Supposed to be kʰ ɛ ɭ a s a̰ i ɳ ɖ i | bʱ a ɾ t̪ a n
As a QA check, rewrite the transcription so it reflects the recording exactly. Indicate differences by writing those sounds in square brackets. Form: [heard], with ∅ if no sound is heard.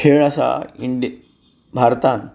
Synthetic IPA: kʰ [e] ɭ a s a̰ i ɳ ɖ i | bʱ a ɾ t̪ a n